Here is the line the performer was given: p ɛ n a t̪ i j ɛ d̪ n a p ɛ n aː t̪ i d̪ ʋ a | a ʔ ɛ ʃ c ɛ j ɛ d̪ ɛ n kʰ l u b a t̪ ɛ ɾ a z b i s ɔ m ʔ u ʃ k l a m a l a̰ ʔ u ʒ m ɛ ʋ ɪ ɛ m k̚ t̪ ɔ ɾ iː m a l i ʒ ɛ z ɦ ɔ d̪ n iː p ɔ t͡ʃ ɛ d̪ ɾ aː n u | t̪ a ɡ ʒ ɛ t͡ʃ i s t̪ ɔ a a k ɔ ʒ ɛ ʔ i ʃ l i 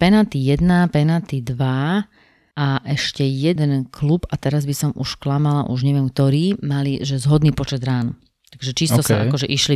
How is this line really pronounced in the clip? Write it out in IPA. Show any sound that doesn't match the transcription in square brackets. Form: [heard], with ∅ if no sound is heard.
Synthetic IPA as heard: p ɛ n a t̪ i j ɛ d̪ n a p ɛ n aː t̪ i d̪ ʋ a | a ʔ ɛ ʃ c ɛ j ɛ d̪ ɛ n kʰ l u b a t̪ ɛ ɾ a z b i s ɔ m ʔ u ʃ k l a m a l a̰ ʔ u ʒ [ɲ] ɛ ʋ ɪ ɛ m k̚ t̪ ɔ ɾ iː m a l i ʒ ɛ z ɦ ɔ d̪ n iː p ɔ t͡ʃ ɛ d̪ ɾ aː n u | t̪ a ɡ ʒ ɛ t͡ʃ i s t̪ ɔ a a k ɔ ʒ ɛ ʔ i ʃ l i